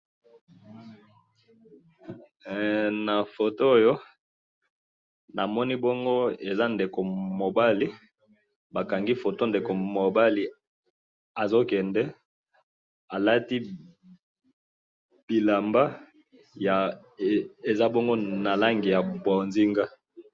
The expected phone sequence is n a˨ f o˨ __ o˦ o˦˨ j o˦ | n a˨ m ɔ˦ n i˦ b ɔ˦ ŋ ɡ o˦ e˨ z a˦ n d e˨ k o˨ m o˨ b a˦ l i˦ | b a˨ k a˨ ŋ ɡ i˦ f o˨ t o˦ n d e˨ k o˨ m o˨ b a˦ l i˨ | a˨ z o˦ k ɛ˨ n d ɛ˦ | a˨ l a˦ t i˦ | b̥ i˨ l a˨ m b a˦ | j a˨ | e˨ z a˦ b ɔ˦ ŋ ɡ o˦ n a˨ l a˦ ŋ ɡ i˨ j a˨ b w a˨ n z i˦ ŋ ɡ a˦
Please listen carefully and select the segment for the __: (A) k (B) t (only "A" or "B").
B